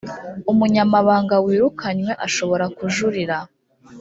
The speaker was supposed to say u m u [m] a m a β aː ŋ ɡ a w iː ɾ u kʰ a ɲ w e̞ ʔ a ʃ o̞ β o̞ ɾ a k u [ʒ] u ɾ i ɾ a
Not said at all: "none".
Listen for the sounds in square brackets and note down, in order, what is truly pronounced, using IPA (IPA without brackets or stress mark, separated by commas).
ɲ, ʒ